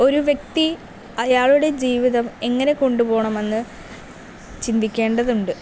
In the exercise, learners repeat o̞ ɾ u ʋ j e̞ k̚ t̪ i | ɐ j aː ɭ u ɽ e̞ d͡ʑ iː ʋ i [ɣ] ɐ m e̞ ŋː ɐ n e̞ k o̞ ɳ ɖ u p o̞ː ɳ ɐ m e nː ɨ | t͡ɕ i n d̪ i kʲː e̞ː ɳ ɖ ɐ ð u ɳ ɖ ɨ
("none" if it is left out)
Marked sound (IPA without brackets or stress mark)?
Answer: ð